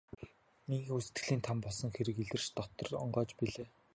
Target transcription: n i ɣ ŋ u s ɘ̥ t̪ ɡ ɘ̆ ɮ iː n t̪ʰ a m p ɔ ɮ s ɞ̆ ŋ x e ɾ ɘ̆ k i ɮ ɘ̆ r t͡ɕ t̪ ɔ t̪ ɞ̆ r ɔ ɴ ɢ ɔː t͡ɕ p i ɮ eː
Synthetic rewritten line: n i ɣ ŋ u s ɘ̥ t̪ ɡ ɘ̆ ɮ iː n t̪ʰ a m p ɔ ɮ s ɞ̆ ŋ x e ɾ ɘ̆ k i ɮ ɘ̆ r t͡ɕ t̪ ɔ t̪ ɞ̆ r ɔ ɴ ɢ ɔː t͡ɕ p i ɮ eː

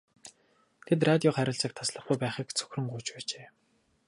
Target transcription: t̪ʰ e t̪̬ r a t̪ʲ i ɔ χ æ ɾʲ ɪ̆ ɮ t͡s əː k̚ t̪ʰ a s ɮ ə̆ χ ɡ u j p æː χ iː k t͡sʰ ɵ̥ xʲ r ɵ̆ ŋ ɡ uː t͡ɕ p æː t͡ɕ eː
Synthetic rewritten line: t̪ʰ e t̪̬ r a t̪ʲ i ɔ χ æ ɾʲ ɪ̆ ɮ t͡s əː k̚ t̪ʰ a s ɮ ə̆ χ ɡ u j p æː χ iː k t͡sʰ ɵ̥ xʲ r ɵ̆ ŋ ɢ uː t͡ɕ p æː t͡ɕ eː

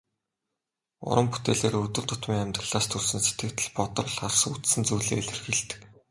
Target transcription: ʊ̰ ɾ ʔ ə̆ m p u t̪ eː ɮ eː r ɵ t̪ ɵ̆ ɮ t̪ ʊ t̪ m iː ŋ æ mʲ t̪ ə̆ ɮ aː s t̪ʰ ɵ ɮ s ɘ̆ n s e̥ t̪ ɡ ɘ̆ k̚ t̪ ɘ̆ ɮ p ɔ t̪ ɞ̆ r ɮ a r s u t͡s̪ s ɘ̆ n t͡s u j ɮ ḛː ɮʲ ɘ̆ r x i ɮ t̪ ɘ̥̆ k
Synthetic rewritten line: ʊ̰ ɾ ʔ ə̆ m p u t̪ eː ɮ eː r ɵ t̪ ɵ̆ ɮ t̪ ʊ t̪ m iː ŋ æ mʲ t̪ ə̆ ɮ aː s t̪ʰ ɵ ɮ s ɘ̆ n s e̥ t̪ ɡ ɘ̆ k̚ t̪ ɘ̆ ɮ p ɔ t̪ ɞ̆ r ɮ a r s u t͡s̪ s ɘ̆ n t͡s u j ɮ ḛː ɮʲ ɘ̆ r x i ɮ t̪ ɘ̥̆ k

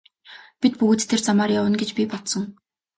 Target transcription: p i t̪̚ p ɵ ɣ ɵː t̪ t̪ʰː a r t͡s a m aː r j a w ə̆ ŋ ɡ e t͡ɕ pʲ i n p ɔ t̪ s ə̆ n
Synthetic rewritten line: p i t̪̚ p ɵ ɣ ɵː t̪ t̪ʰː e r t͡s a m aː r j a w ə̆ n ɡ e t͡ɕ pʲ i p ɔ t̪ s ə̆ ŋ

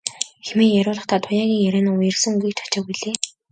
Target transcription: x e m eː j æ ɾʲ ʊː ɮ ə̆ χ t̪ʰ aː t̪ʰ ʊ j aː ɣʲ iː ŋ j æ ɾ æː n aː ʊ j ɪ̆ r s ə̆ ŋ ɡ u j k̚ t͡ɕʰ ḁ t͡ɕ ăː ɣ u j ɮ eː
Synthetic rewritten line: x e m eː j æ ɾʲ ʊː ɮ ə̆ χ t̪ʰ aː t̪ʰ ʊ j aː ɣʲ iː ŋ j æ ɾ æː n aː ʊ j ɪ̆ r s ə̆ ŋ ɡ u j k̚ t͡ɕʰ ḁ t͡ɕ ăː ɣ u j ɮ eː

